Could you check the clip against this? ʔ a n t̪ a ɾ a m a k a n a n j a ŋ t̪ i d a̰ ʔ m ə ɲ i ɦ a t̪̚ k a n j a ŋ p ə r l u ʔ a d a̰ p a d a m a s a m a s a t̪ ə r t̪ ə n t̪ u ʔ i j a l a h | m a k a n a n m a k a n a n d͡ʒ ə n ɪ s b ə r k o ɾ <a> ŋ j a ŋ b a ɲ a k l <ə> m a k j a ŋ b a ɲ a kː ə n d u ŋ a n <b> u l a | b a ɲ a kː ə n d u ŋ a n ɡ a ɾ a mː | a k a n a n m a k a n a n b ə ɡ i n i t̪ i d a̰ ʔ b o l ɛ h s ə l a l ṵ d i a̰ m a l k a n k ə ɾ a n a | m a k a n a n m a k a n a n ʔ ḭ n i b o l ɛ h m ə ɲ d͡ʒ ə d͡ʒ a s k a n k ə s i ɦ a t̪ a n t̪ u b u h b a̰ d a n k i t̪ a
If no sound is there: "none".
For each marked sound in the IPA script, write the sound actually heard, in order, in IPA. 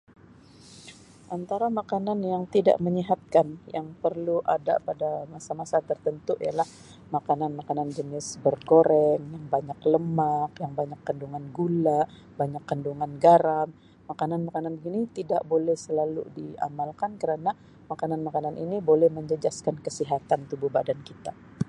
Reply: ɛ, ə, ɡ

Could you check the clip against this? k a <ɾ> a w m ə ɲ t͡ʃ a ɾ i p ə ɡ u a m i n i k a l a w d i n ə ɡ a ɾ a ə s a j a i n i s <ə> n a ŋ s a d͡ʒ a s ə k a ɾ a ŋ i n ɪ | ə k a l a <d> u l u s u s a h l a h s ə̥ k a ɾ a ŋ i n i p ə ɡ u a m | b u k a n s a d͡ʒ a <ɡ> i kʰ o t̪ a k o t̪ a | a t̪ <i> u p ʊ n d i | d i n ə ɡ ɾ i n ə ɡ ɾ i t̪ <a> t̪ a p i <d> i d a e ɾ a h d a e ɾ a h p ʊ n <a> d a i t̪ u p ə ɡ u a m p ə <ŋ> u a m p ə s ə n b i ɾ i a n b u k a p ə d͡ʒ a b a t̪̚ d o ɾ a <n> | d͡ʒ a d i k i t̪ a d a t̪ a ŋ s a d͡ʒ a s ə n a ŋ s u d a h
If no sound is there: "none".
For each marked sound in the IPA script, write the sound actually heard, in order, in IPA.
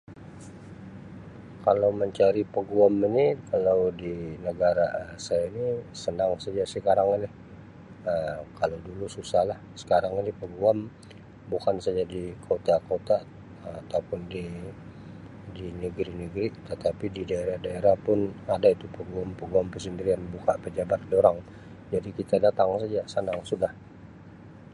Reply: l, ə, d, d, a, ə, d, a, ɡ, ŋ

